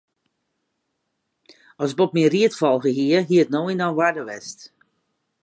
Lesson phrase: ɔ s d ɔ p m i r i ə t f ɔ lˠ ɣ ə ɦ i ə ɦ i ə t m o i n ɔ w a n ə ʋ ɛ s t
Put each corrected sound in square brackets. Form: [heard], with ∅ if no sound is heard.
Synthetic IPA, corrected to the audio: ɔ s [b] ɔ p m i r i ə t f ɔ lˠ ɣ ə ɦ i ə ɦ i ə t [n] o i n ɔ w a [d] ə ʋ ɛ s t

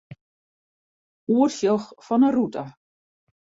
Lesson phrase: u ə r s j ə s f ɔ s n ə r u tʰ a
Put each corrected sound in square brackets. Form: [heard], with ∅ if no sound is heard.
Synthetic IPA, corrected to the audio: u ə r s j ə [x] f ɔ [∅] n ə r u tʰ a

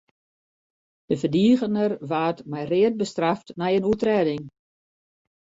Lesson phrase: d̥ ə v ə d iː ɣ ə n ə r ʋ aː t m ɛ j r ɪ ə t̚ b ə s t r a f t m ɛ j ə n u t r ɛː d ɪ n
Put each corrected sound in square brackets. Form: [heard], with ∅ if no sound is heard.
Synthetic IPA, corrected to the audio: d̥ ə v ə d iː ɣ ə n ə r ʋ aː t m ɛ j r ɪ ə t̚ b ə s t r a f t [n] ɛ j ə n u t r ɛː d ɪ [ŋ]

